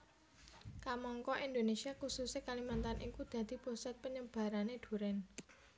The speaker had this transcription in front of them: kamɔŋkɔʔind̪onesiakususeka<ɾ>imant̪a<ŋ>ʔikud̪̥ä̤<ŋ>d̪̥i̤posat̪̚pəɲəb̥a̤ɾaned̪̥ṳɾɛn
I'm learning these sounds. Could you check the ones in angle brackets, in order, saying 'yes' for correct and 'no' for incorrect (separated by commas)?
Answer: no, no, no